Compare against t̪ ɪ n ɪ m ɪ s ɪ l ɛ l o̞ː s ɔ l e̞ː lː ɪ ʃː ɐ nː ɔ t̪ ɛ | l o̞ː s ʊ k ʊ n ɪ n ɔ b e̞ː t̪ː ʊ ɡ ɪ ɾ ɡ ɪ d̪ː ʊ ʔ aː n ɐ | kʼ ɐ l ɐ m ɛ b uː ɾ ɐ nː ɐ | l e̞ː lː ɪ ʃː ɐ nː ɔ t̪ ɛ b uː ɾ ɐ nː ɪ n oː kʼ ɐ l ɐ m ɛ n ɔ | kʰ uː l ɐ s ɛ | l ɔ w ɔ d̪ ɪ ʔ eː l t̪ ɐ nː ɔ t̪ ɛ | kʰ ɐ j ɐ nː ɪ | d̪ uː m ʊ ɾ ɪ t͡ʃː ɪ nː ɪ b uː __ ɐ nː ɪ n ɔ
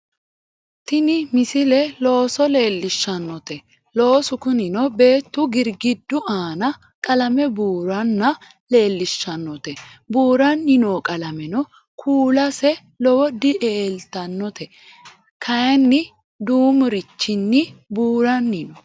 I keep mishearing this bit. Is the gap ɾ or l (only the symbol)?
ɾ